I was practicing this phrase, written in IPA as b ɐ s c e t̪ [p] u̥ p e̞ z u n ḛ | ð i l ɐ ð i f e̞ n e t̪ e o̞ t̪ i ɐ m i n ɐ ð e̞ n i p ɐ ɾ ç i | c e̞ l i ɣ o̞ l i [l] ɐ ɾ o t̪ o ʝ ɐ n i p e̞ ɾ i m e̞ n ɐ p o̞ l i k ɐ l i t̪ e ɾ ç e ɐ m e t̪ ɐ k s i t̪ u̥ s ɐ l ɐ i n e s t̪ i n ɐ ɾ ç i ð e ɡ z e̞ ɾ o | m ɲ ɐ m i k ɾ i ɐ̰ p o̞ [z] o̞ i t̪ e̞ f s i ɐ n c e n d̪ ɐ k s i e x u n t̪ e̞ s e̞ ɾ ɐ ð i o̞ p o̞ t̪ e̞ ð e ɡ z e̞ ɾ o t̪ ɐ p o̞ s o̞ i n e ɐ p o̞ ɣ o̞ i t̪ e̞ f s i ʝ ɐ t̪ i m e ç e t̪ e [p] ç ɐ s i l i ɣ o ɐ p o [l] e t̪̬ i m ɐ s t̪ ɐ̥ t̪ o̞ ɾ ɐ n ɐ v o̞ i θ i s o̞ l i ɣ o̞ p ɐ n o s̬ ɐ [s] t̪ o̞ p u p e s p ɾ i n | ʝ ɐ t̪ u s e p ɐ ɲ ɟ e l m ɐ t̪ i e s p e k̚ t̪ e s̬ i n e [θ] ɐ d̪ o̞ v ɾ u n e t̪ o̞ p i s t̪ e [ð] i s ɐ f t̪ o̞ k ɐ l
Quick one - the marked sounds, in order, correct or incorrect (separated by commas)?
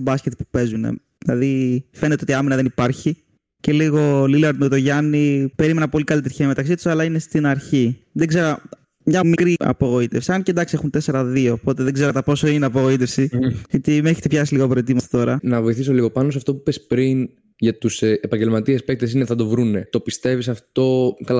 correct, correct, incorrect, correct, incorrect, incorrect, correct, incorrect